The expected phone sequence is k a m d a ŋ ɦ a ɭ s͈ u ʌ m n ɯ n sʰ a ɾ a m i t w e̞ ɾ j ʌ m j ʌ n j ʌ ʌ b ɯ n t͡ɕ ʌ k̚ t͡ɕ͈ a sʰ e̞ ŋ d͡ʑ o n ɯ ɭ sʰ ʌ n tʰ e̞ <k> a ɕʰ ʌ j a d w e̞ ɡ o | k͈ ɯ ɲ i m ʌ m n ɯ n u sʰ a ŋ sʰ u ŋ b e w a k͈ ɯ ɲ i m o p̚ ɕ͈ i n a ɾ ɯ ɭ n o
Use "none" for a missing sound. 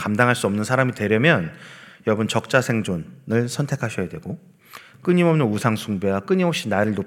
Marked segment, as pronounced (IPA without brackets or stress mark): kʰ